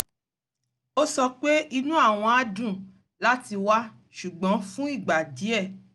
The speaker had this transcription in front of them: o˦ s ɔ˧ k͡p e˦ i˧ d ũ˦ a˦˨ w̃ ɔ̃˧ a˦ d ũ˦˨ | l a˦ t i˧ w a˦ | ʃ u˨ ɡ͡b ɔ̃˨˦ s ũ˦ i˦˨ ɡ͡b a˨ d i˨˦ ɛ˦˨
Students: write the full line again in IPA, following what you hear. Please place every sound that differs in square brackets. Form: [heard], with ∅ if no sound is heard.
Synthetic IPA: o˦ s ɔ˧ k͡p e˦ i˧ [n] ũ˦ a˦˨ w̃ ɔ̃˧ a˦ d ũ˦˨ | l a˦ t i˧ w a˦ | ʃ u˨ ɡ͡b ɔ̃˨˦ [f] ũ˦ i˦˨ ɡ͡b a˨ d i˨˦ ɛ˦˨